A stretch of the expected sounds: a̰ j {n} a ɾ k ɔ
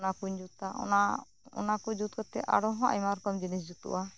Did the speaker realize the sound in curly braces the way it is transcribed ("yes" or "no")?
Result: no